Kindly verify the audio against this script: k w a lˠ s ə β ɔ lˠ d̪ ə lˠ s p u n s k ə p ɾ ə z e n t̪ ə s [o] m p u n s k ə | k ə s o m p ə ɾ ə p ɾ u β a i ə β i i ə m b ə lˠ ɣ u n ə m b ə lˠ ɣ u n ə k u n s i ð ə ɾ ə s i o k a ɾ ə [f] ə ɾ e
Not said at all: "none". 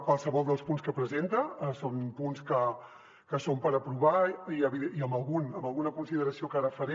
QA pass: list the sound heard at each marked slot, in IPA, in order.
o, f

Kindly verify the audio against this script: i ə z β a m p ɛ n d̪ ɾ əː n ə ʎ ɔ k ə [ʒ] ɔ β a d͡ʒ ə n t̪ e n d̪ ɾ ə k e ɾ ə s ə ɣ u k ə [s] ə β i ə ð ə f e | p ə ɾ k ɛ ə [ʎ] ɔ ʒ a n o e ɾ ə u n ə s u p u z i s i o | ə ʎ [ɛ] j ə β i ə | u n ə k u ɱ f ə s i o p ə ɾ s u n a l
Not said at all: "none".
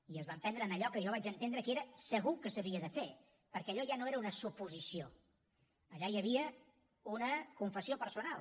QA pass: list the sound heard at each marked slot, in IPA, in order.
ʒ, s, ʎ, a

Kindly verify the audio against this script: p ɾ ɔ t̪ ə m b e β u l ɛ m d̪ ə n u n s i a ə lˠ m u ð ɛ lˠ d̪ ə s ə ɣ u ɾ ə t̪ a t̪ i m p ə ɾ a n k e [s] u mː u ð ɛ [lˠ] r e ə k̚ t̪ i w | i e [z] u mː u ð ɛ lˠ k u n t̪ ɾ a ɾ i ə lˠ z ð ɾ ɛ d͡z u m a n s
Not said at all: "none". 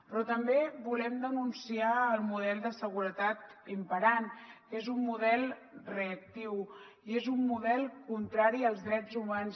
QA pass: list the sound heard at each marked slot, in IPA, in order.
z, lˠ, z

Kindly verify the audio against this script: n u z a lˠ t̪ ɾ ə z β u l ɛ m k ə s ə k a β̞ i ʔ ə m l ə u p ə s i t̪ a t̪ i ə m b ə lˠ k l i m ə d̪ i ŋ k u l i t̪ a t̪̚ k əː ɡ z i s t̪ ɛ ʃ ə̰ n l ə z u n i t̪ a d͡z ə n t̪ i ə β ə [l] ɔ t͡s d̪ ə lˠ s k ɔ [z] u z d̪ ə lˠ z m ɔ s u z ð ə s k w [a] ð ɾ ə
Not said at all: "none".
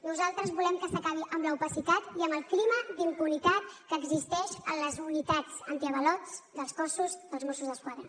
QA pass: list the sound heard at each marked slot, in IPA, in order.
l, s, a

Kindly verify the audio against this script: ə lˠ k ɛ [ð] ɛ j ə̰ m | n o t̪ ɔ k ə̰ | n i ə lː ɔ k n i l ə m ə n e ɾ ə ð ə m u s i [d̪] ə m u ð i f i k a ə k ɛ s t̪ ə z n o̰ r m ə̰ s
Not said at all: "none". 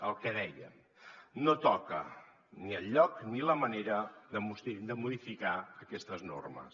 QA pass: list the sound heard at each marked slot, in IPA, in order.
ð, d̪

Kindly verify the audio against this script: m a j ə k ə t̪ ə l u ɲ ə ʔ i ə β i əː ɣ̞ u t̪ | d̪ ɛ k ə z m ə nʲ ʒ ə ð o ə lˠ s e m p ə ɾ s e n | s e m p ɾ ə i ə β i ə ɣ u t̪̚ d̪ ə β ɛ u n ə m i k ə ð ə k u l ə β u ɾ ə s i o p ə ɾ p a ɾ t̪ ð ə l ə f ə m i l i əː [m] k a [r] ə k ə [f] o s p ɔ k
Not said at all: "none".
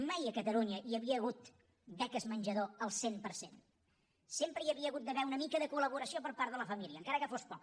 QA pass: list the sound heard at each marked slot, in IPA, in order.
ŋ, ɾ, f

